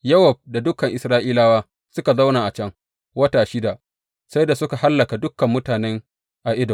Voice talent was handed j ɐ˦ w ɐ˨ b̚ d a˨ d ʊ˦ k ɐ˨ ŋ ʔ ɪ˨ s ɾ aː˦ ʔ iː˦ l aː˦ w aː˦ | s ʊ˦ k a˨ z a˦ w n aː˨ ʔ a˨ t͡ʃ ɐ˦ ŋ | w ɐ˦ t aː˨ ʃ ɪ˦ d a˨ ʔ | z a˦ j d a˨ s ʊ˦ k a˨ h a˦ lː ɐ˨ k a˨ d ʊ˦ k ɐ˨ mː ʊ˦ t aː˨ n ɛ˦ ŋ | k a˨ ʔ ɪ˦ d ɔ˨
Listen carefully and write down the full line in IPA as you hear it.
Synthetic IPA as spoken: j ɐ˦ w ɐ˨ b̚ d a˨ d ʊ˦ k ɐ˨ ŋ ʔ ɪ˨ s ɾ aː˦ ʔ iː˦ l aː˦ w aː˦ | s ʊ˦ k a˨ z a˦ w n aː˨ ʔ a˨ t͡ʃ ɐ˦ ŋ | w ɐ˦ t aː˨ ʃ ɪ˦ d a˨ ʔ | s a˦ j d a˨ s ʊ˦ k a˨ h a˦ lː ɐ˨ k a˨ d ʊ˦ k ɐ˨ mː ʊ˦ t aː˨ n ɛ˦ ŋ | ʔ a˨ ʔ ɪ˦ d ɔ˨